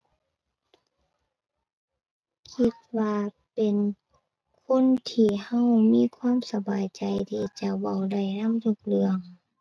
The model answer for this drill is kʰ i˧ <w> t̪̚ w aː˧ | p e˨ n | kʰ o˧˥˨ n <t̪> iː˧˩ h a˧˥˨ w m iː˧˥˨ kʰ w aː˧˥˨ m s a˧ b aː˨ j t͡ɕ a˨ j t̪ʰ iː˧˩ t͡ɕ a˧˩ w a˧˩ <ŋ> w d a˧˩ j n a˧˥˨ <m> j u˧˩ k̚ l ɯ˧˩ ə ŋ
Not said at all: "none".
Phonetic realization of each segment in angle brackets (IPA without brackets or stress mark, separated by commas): none, t̪ʰ, none, m